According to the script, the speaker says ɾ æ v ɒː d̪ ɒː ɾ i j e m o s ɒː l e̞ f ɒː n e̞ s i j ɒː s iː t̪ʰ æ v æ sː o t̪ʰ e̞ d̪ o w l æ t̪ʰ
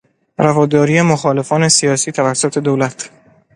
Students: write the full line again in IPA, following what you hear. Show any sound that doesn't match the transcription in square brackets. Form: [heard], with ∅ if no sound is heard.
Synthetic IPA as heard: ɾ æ v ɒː d̪ ɒː ɾ i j e m o [x] ɒː l e̞ f ɒː n e̞ s i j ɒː s iː t̪ʰ æ v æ sː o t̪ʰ e̞ d̪ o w l æ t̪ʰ